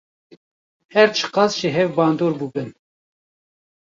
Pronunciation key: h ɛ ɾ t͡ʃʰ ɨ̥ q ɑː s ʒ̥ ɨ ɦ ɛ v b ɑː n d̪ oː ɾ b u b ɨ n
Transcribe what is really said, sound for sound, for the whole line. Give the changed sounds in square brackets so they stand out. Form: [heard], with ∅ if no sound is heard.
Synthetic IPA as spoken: h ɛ ɾ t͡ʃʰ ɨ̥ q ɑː s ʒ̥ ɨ ɦ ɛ v b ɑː n d̪ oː ɾ b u b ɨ n